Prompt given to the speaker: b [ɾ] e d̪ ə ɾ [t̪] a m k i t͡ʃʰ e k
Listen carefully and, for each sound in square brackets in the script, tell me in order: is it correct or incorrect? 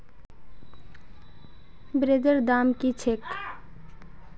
correct, incorrect: d̪

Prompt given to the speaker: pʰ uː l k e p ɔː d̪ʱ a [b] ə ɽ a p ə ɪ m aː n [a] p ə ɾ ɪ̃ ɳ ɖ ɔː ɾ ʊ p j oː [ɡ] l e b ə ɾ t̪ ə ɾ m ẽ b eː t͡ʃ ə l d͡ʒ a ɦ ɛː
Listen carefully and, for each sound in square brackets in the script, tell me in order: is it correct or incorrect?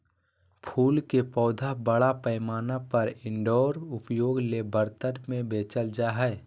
correct, correct, correct

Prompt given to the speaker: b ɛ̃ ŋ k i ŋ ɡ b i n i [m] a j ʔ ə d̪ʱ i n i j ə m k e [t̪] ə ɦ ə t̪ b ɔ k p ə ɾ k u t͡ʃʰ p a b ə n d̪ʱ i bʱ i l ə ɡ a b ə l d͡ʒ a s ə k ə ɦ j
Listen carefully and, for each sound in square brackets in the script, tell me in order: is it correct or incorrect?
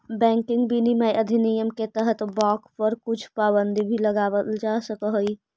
correct, correct

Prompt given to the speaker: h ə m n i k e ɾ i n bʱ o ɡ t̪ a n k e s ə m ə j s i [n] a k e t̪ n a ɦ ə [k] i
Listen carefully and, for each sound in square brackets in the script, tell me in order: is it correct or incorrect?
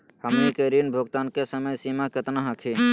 incorrect: m, incorrect: kʰ

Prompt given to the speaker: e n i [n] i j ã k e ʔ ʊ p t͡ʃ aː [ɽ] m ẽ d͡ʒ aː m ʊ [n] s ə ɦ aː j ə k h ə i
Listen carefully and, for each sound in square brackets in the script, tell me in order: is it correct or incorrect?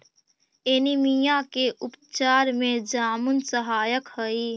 incorrect: m, incorrect: ɾ, correct

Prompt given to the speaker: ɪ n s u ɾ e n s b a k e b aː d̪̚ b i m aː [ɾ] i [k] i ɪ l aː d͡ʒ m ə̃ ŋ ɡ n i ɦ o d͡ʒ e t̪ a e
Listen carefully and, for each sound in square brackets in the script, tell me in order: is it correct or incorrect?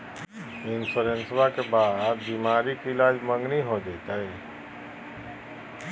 correct, correct

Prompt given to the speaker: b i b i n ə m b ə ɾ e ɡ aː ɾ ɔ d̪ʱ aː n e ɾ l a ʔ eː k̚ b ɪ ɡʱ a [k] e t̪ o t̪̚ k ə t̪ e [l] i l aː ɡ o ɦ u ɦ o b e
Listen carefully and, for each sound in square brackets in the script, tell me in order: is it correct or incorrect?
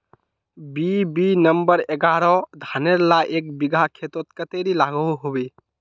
incorrect: kʰ, incorrect: ɾ

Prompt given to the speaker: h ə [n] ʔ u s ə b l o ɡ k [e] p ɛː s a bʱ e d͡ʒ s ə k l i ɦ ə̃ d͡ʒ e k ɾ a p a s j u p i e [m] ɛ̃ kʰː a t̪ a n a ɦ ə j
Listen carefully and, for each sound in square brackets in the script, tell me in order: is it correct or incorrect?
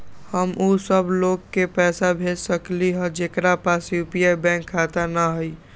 incorrect: m, correct, incorrect: b

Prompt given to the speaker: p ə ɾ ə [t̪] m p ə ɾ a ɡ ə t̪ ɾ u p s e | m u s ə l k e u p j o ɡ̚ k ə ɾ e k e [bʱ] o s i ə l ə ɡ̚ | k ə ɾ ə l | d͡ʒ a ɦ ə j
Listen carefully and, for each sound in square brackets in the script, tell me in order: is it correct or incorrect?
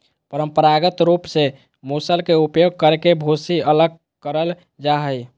incorrect: none, correct

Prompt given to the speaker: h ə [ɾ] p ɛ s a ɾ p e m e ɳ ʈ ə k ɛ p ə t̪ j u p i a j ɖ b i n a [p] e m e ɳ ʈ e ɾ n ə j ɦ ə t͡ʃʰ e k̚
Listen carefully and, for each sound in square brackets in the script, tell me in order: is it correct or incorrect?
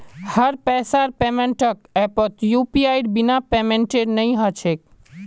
correct, correct

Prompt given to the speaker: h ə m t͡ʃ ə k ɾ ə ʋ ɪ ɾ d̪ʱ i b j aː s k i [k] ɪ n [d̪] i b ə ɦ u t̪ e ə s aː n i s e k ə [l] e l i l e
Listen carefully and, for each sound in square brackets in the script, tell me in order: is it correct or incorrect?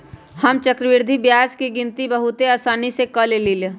incorrect: ɡ, incorrect: t̪, correct

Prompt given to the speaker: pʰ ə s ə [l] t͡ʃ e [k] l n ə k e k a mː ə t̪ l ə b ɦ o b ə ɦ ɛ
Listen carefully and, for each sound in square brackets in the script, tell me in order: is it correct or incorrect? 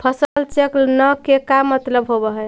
correct, correct

